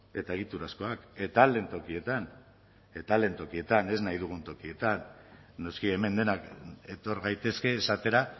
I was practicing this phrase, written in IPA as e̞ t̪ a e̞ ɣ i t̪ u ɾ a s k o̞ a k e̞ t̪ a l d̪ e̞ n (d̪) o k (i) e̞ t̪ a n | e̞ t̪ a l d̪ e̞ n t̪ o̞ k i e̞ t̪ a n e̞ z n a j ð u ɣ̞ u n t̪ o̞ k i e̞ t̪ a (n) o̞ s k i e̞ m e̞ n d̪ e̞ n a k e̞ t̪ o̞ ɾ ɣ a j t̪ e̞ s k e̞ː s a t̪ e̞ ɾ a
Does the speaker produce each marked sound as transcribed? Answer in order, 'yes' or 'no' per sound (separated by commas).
no, yes, no